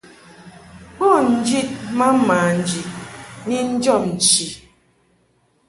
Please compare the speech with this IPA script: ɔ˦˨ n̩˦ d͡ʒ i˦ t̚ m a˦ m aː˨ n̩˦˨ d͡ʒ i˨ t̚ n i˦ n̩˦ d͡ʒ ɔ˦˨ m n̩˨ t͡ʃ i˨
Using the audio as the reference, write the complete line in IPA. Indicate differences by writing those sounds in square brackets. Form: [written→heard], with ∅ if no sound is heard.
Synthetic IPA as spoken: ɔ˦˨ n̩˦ d͡ʒ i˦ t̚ m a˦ m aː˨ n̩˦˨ d͡ʒ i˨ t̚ n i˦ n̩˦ d͡ʒ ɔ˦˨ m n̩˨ t͡ʃ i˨